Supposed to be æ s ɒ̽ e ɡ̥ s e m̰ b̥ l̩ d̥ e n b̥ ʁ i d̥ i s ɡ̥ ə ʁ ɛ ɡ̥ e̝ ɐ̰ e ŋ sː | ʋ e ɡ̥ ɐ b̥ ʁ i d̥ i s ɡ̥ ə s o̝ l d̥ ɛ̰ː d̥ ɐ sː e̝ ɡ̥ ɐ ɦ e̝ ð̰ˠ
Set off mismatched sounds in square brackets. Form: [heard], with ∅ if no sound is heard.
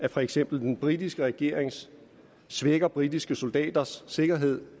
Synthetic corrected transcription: æ [f] ɒ̽ e ɡ̥ s e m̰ b̥ l̩ d̥ e n b̥ ʁ i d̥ i s ɡ̥ ə ʁ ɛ ɡ̥ e̝ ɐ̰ e ŋ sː | ʋ e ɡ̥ ɐ b̥ ʁ i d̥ i s ɡ̥ ə s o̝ l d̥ ɛ̰ː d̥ ɐ sː e̝ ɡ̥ ɐ ɦ e̝ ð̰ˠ